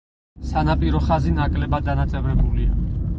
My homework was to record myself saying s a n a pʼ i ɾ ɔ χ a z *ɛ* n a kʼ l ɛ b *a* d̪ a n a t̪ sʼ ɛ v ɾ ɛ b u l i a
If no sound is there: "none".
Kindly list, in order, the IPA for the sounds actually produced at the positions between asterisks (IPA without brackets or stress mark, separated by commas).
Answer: i, a